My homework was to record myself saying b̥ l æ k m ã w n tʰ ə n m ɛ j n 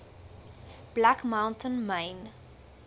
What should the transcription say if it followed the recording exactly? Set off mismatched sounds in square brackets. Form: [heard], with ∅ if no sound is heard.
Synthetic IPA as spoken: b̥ l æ k m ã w n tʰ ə n m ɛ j n